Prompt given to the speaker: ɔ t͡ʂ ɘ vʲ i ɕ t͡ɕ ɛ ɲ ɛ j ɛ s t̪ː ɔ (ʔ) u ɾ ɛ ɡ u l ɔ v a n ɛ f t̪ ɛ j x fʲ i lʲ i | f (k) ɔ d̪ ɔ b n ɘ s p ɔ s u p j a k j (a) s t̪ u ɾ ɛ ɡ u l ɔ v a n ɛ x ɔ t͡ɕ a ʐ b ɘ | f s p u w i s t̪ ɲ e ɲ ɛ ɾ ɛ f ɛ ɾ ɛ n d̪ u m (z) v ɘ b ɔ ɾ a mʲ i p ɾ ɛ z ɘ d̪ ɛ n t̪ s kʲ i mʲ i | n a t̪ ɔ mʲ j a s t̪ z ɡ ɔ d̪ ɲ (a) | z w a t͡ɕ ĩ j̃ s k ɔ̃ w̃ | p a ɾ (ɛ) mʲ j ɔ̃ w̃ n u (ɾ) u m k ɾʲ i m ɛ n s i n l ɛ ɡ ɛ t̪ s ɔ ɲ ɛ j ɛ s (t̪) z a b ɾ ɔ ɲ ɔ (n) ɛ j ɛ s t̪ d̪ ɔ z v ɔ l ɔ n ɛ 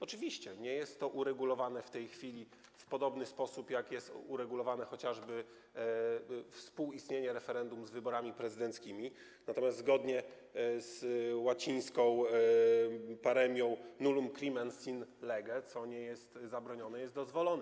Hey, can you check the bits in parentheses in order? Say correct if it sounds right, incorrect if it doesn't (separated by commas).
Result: correct, incorrect, incorrect, correct, incorrect, correct, incorrect, correct, correct